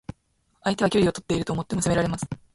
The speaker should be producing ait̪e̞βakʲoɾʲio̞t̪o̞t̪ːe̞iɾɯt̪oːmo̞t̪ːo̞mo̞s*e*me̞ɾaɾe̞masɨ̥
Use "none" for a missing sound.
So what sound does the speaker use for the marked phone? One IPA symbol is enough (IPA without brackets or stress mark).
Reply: e